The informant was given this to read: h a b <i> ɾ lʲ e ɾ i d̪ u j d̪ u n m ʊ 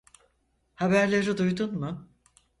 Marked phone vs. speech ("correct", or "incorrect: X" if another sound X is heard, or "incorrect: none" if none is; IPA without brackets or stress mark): incorrect: æ